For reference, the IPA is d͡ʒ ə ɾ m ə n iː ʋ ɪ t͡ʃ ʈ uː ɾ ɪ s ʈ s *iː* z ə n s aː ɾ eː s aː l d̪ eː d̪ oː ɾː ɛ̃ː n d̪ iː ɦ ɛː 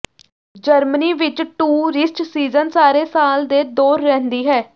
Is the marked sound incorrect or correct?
correct